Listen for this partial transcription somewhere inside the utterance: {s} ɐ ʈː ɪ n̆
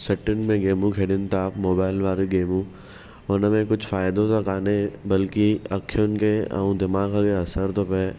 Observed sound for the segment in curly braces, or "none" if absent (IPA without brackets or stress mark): s